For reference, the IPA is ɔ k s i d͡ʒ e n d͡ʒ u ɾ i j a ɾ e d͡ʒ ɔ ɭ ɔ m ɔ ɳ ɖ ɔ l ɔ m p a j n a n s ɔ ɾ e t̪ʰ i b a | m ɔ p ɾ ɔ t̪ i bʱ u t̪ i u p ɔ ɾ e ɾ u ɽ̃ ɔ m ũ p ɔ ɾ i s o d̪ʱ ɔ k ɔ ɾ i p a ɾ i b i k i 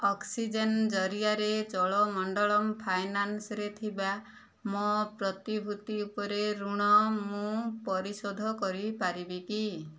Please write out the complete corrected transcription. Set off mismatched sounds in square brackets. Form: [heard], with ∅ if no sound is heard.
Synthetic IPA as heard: ɔ k s i d͡ʒ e n d͡ʒ [ɔ] ɾ i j a ɾ e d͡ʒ ɔ ɭ ɔ m ɔ ɳ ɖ ɔ [ɭ] ɔ m [pʰ] a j n a n s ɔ ɾ e t̪ʰ i b a | m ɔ p ɾ ɔ t̪ i bʱ u t̪ i u p ɔ ɾ e ɾ u ɽ̃ ɔ m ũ p ɔ ɾ i s o d̪ʱ ɔ k ɔ ɾ i p a ɾ i b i k i